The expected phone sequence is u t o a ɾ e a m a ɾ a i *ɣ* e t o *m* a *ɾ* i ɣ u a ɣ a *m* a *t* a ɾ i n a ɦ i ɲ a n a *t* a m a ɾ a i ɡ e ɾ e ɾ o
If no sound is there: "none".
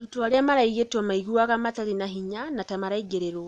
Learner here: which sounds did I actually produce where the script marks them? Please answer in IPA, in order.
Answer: ɣ, m, none, m, t, t

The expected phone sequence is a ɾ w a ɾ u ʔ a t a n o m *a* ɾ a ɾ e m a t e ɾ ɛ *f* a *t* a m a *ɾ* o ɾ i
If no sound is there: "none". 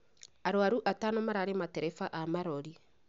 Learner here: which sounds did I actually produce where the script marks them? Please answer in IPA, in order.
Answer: a, f, ʔ, ɾ

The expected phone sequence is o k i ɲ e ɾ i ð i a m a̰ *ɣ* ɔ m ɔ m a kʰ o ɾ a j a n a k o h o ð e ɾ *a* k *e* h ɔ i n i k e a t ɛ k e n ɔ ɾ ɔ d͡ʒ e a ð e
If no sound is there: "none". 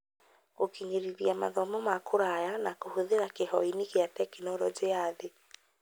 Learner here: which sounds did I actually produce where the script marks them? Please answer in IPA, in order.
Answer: ð, a, e

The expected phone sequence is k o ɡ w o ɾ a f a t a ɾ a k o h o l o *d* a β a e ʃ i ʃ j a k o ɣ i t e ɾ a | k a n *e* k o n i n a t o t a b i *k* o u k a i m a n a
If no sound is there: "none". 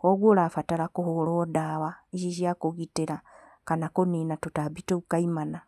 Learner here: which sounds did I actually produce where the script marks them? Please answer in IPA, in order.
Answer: d, a, t

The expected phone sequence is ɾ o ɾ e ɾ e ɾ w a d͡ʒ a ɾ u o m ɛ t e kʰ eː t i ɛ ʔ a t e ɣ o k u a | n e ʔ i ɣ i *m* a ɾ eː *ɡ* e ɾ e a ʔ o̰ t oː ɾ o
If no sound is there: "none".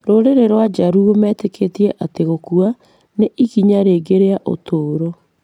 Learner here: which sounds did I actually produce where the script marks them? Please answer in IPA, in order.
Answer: ɲ, ɡ

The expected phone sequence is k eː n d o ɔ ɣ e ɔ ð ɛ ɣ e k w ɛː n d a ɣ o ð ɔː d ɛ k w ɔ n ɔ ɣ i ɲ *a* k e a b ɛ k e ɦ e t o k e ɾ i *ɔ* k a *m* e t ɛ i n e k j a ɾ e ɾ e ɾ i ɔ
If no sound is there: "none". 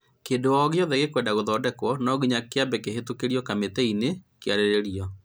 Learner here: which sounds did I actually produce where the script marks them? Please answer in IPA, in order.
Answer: a, ɔ, m

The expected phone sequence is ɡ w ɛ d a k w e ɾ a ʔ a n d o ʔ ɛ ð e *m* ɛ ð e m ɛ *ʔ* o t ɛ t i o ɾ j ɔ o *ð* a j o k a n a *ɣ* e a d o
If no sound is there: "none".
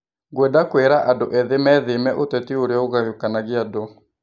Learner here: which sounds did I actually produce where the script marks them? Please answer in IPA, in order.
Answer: m, ʔ, ɣ, ɣ

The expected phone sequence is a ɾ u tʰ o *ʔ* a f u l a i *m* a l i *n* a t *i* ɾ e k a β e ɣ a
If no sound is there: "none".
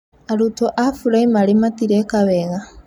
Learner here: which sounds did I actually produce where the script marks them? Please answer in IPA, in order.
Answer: ʔ, m, m, i

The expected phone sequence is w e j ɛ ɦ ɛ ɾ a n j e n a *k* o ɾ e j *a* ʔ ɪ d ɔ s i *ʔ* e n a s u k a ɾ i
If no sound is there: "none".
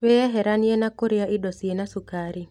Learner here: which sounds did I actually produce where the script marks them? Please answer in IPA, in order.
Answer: k, a, none

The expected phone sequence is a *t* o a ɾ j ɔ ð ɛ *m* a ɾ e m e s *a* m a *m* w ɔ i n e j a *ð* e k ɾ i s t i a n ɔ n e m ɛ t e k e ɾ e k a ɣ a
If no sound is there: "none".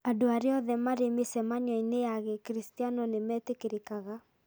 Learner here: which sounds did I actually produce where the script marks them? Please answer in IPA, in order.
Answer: d, m, ɛ, ɲ, ɣ

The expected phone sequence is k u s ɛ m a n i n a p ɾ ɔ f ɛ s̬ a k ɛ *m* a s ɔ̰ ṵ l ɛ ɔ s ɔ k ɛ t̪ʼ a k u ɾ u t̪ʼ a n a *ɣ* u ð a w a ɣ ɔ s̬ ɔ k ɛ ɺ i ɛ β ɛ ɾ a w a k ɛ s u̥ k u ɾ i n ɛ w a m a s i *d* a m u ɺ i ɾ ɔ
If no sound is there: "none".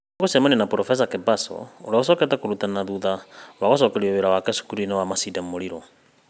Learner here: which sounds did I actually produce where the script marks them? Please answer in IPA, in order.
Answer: b, ð, d

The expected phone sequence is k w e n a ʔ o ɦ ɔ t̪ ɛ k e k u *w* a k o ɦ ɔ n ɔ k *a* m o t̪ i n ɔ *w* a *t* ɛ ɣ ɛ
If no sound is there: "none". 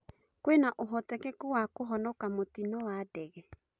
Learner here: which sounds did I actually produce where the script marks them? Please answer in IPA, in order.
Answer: w, a, w, d

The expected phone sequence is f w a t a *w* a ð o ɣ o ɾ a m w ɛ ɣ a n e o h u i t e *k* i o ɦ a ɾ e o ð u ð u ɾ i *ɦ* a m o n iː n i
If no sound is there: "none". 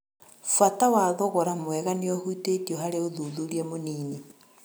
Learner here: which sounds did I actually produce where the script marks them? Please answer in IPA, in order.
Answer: w, t, none

